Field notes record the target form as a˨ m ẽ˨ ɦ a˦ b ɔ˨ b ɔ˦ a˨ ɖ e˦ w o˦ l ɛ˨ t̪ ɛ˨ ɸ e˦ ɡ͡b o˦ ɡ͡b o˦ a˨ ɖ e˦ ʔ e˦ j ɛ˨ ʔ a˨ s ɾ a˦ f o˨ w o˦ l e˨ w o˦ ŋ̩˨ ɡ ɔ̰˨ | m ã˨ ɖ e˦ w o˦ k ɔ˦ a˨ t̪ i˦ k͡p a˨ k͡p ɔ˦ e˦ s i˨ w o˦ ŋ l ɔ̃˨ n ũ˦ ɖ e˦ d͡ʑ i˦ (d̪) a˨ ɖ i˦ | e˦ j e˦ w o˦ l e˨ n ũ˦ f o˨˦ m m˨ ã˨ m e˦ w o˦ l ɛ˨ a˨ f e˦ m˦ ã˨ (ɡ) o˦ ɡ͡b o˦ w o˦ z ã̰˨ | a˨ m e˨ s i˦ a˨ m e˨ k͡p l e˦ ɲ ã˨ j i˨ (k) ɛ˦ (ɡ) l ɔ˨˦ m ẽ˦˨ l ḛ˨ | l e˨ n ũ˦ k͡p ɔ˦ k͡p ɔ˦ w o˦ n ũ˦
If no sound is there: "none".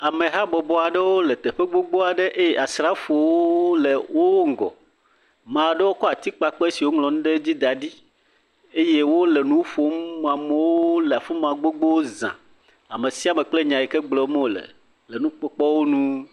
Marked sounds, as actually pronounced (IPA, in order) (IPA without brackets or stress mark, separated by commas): d̪, ɡ͡b, k, ɡ͡b